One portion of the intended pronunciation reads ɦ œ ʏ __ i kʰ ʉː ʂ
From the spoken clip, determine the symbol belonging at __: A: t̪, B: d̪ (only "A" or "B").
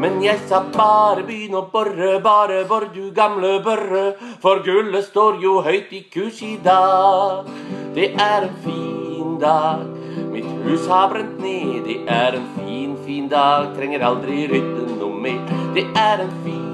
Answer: A